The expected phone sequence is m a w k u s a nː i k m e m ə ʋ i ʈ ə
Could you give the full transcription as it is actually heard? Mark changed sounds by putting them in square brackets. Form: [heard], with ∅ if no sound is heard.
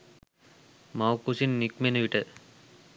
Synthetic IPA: m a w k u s [i] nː i k m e [n] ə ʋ i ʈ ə